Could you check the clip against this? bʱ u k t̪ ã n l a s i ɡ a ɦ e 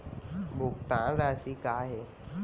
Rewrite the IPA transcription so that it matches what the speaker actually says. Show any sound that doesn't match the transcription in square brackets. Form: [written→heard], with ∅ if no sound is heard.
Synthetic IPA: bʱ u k t̪ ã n [l→ɾ] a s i [ɡ→k] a ɦ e